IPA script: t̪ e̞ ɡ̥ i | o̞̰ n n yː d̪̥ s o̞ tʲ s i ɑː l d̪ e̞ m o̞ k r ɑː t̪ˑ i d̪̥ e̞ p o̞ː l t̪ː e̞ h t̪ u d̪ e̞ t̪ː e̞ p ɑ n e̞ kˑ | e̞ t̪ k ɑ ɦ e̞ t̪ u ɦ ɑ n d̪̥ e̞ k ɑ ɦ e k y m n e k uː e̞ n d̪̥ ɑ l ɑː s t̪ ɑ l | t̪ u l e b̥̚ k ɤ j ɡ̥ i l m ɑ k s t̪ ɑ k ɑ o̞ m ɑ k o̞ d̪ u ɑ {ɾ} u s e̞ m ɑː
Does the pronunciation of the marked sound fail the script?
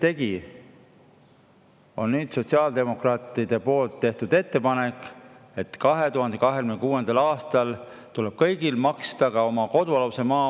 yes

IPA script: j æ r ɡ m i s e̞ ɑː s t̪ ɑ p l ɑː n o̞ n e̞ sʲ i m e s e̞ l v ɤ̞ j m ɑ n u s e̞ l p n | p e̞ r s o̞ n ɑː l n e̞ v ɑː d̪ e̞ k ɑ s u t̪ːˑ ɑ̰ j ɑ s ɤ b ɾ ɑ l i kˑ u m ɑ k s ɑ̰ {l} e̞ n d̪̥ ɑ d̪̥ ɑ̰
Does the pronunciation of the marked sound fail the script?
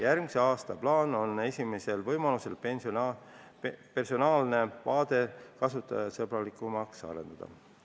yes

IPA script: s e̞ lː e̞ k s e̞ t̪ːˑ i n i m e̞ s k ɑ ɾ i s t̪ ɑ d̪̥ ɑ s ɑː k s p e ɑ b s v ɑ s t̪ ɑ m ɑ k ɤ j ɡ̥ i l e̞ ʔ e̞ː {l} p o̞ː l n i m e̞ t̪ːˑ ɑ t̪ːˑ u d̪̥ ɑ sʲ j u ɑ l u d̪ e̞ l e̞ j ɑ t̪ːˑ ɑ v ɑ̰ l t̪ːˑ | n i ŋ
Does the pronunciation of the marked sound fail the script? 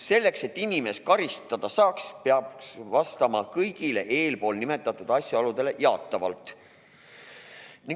no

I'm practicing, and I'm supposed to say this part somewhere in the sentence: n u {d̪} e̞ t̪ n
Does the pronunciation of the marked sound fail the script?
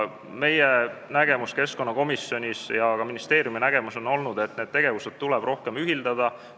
no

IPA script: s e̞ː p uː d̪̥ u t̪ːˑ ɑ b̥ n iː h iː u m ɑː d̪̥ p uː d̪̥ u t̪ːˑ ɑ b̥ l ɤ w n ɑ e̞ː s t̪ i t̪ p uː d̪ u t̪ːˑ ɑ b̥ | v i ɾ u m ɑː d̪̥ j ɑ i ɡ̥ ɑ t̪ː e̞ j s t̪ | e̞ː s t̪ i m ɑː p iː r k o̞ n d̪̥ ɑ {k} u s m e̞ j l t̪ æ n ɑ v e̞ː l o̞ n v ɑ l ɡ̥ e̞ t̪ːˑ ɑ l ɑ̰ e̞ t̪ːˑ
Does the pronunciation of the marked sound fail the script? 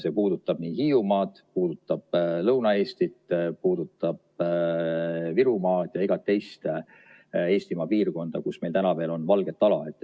no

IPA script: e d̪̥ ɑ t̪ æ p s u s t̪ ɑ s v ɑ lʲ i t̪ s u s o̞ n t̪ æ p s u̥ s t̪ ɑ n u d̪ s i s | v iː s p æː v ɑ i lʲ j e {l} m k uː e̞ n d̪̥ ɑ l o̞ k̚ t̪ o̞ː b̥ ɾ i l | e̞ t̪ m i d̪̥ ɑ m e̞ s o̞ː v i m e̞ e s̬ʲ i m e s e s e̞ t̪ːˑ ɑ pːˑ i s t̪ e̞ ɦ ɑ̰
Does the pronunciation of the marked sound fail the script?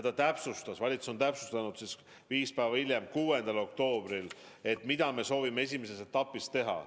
yes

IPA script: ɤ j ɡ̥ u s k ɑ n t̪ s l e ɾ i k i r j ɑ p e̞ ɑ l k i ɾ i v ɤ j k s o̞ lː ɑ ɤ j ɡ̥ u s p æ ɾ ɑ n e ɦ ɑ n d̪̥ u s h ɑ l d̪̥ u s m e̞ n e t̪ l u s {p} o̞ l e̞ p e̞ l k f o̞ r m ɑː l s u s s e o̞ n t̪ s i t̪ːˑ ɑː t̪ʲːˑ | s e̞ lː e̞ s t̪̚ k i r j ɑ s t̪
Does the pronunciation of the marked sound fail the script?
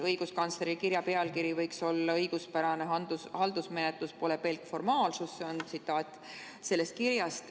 no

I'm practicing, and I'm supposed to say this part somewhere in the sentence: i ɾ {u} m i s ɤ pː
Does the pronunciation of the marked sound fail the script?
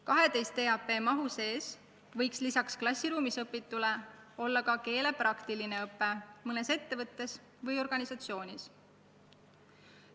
yes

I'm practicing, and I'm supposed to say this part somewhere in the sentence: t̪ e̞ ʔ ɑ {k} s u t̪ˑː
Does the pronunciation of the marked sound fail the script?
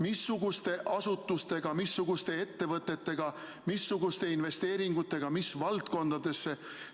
yes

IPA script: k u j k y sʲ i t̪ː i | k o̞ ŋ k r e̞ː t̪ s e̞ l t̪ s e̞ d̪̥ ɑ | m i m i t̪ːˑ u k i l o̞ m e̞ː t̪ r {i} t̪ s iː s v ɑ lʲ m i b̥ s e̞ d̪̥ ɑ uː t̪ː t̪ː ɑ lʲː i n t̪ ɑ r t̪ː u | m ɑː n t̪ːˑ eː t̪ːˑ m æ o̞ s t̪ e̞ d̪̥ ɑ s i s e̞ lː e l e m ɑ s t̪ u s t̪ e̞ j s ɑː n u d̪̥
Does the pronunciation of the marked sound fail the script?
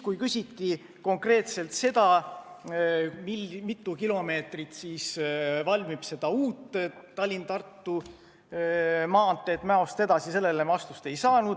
no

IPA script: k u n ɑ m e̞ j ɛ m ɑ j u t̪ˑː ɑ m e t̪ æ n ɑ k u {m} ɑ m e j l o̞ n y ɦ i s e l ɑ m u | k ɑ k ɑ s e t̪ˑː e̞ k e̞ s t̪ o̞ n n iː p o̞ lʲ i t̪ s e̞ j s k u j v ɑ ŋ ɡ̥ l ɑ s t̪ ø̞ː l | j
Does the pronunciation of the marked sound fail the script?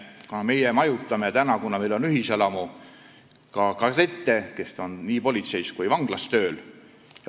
yes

